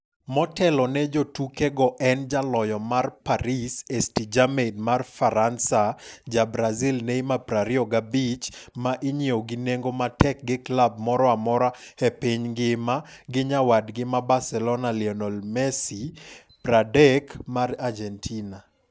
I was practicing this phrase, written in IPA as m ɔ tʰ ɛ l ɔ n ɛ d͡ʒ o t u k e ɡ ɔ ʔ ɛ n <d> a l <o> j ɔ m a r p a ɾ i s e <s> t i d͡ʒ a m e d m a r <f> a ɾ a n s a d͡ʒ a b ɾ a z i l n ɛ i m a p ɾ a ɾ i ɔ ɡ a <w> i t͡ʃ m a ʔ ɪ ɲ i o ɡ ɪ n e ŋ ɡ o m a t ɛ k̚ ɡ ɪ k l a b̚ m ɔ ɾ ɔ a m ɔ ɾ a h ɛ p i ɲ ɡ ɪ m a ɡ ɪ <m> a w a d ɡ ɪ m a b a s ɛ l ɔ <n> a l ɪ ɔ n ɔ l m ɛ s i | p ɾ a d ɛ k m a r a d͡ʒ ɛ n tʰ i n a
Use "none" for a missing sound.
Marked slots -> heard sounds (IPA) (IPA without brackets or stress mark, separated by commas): d͡ʒ, ɔ, s, f, b, ɲ, n